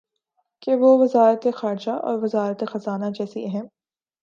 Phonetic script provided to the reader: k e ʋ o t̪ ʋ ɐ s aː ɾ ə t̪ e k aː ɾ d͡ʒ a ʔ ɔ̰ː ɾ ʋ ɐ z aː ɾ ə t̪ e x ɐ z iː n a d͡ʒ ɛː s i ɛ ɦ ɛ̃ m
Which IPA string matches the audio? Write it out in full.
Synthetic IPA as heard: k e ʋ o ʋ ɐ z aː ɾ ə t̪ e x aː ɾ d͡ʒ a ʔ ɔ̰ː ɾ ʋ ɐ z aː ɾ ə t̪ e x ɐ z aː n a d͡ʒ ɛː s i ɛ ɦ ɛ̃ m

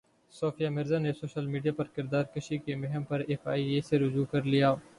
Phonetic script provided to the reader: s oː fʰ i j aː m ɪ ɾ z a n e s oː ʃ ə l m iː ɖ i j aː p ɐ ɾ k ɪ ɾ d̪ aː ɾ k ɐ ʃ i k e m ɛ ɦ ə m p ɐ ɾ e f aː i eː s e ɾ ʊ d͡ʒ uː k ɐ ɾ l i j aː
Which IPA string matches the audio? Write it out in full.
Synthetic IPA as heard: s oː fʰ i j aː m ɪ ɾ z a n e s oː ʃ ə l m iː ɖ i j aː p ɐ ɾ k ɪ ɾ d̪ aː ɾ k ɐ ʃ i k e m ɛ ɦ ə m p ɐ ɾ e f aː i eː s e ɾ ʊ d͡ʒ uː k ɐ ɾ l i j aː

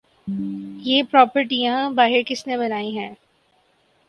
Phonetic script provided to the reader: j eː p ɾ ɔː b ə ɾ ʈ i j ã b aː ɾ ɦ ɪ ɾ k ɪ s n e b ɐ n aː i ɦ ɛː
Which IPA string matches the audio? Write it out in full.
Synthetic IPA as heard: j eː p ɾ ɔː p ə ɾ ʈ i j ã b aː ɦ ɪ ɾ k ɪ s n e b ɐ n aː i ɦ ɛ̃ː

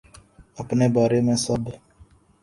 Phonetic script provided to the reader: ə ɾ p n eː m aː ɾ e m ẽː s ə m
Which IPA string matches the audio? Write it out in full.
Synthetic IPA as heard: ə p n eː b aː ɾ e m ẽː s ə b

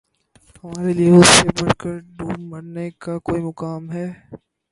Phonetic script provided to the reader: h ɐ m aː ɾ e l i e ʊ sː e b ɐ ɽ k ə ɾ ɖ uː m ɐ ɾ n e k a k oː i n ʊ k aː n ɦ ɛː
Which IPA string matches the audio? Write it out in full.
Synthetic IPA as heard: h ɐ m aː ɾ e l i e ʊ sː e b ɐ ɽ k ə ɾ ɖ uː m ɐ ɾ n e k a k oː i m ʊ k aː m ɦ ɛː

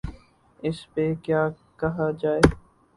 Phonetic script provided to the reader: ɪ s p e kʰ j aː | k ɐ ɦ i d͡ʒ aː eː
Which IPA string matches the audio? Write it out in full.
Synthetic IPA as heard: ɪ s p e k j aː | k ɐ ɦ a d͡ʒ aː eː

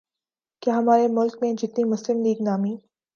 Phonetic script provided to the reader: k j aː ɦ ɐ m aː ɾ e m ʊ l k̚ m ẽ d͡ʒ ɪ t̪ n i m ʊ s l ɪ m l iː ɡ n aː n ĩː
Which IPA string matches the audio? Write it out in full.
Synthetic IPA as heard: k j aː ɦ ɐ m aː ɾ e m ʊ l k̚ m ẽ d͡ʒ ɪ t̪ n i m ʊ s l ɪ m l iː ɡ n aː m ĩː

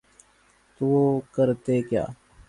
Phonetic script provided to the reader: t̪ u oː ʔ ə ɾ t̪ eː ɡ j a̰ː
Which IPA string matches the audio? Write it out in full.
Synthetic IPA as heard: t̪ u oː k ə ɾ t̪ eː k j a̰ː

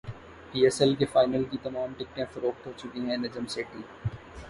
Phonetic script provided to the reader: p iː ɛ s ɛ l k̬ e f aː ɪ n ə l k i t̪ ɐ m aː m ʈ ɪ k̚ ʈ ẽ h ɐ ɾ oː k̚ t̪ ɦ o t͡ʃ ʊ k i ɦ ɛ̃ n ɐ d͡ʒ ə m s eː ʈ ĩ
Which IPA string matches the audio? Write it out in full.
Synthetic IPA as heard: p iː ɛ s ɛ l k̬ e f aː ɪ n ə l k i t̪ ɐ m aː m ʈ ɪ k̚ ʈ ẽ f ɐ ɾ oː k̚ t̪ ɦ o t͡ʃ ʊ k i ɦ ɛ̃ n ɐ d͡ʒ ə m s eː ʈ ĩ

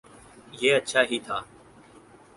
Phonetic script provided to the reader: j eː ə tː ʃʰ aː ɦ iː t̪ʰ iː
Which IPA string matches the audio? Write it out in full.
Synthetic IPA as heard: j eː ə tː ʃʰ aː ɦ iː t̪ʰ aː

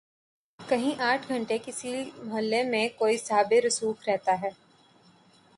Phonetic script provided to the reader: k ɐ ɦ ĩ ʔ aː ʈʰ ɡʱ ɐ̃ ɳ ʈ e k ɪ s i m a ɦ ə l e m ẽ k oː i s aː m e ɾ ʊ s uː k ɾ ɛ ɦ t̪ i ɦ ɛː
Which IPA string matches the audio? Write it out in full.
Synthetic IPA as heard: k ɐ ɦ ĩ ʔ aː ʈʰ ɡʱ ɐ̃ ɳ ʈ e k ɪ s i m ɐ ɦ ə lː e m ẽ k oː i s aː b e ɾ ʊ s uː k ɾ ɛ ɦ t̪ a ɦ ɛː

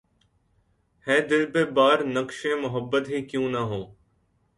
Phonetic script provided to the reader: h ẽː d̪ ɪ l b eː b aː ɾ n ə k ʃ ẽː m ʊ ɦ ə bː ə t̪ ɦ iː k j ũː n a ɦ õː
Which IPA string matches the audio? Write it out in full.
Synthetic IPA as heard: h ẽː d̪ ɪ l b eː b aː ɾ n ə k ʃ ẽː m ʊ ɦ ə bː ə t̪ ɦ iː k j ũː n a ɦ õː

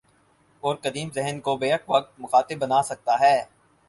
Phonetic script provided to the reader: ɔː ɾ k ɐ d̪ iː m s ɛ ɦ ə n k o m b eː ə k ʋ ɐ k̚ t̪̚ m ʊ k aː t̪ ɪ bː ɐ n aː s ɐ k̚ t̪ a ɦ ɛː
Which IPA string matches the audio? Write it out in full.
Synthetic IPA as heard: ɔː ɾ k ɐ d̪ iː m z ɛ ɦ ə n k o b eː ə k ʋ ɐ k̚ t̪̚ m ʊ x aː t̪ ɪ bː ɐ n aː s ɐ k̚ t̪ a ɦ ɛː

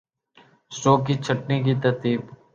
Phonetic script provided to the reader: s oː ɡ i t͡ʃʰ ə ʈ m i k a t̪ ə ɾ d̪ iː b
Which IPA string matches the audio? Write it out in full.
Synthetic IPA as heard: s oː k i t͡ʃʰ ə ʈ n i k i t̪ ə ɾ t̪ iː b

